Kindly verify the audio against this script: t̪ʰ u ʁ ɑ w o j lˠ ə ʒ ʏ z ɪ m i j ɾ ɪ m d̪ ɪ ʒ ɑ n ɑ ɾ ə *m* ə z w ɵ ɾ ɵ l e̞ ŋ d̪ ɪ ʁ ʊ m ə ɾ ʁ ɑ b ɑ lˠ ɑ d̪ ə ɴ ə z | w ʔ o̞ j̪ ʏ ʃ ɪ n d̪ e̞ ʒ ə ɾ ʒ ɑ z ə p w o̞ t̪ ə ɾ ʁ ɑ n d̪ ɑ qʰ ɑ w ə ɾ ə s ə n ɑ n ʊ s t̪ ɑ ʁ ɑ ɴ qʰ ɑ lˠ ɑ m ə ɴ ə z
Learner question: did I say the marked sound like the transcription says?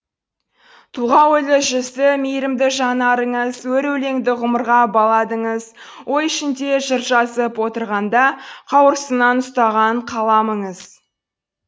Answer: no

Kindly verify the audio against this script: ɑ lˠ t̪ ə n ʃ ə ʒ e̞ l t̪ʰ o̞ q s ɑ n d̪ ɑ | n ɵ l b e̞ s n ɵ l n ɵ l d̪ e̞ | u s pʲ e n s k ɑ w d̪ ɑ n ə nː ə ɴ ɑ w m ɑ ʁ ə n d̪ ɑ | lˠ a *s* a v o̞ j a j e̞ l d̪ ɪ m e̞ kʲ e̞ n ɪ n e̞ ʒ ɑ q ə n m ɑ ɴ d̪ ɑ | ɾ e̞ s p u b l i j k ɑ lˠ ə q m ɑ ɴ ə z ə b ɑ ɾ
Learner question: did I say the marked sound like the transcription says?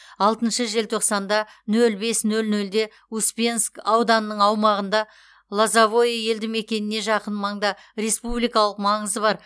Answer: no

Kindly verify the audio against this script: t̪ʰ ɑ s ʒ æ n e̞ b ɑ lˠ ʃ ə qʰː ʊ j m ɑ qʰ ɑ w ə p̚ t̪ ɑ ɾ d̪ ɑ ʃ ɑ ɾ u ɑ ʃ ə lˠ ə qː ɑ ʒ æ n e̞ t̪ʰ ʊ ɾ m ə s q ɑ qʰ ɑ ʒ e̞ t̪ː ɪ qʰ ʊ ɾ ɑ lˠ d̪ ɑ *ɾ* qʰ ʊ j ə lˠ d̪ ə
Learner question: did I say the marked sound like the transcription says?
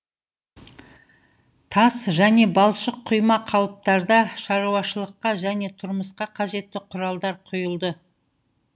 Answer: yes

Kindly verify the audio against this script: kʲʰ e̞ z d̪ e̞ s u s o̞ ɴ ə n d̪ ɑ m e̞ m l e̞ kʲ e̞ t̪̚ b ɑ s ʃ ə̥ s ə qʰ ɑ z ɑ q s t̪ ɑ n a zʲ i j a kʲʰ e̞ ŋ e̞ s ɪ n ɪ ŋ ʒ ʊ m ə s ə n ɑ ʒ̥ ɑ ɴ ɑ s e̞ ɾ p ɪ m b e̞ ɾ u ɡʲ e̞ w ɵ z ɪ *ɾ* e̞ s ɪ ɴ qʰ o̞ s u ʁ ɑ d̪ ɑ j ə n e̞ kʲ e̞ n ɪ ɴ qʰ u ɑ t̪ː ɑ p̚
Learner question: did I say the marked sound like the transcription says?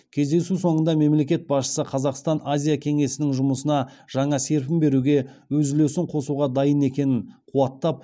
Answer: no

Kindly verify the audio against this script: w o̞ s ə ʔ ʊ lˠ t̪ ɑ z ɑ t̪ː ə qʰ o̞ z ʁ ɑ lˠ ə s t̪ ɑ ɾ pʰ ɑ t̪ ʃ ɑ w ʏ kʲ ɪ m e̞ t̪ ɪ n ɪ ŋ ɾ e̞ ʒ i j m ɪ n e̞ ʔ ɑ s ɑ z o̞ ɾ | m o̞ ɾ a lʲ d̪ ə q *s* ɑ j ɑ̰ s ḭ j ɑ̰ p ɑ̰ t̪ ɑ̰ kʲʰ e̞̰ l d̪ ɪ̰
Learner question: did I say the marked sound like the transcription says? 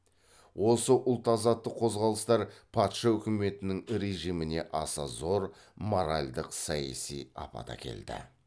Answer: yes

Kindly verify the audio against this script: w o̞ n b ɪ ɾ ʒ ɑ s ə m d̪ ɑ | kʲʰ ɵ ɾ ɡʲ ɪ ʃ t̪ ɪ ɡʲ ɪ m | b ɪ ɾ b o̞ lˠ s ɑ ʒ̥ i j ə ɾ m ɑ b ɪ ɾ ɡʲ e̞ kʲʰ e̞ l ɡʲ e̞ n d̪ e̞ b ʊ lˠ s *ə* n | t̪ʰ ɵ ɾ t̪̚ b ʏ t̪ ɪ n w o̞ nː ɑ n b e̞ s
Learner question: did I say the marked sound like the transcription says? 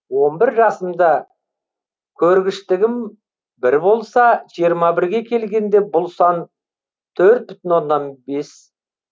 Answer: no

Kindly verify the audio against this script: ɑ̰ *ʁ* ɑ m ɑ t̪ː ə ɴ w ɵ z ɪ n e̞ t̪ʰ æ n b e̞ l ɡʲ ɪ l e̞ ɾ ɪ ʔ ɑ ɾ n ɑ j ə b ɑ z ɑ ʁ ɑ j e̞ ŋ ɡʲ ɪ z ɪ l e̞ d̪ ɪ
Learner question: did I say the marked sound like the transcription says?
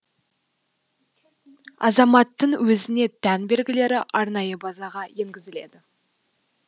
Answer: no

